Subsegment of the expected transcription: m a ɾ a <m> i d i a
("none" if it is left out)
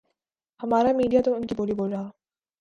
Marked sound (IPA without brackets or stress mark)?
m